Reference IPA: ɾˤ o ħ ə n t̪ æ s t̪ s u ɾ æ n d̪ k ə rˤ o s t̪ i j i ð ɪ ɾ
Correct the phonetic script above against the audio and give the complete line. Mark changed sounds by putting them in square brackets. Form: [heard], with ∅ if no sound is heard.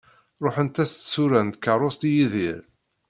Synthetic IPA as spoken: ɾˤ o ħ ə n t̪ æ s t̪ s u ɾ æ n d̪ k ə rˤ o s t̪ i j i ð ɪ ɾ